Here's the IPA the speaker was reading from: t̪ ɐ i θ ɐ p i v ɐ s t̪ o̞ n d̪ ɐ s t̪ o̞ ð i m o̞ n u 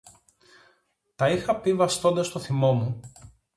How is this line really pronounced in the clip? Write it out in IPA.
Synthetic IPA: t̪ ɐ i x ɐ p i v ɐ s t̪ o̞ n d̪ ɐ s t̪ o̞ θ i m o̞ m u